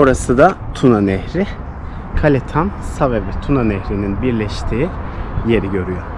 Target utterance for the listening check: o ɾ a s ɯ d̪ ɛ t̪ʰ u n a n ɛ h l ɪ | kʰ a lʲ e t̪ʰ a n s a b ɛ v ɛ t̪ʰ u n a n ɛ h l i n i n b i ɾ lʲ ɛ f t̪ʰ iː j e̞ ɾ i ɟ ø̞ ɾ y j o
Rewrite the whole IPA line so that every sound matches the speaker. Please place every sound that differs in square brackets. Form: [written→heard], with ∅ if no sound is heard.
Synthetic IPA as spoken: o ɾ a s ɯ d̪ [ɛ→a] t̪ʰ u n a n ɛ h [l→ɾ] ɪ | kʰ a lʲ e t̪ʰ a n s a [b→v] ɛ v ɛ t̪ʰ u n a n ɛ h [l→ɾ] i n i n b i ɾ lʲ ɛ [f→ʃ] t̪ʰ iː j e̞ ɾ i ɟ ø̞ ɾ y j o